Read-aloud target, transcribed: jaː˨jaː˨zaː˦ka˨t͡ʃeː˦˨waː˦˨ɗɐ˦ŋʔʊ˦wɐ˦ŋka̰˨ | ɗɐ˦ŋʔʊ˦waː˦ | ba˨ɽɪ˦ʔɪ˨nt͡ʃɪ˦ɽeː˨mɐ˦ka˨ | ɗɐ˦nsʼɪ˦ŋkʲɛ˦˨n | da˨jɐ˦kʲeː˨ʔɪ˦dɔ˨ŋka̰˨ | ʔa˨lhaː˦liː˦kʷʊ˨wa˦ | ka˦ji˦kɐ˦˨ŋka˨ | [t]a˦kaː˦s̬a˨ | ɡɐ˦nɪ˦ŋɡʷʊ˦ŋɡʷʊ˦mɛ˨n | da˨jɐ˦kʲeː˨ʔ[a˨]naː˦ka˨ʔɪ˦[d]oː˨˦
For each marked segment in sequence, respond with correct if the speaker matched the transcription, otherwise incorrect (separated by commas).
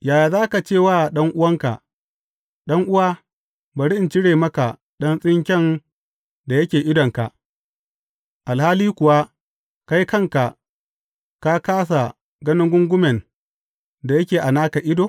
incorrect, correct, correct